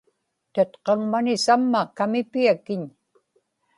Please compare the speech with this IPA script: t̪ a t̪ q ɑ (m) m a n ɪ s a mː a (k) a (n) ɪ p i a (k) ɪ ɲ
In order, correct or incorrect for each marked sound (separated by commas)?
incorrect, correct, incorrect, correct